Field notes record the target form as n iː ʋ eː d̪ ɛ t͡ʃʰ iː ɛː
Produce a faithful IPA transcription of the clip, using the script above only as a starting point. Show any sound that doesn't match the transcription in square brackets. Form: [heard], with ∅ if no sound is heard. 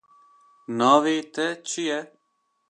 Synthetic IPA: n [aː] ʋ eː [t̪] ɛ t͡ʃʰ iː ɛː